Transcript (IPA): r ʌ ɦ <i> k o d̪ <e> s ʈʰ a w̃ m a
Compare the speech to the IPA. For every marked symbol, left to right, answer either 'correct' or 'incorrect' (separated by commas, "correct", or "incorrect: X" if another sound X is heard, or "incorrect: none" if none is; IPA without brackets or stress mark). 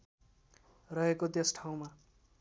incorrect: e, correct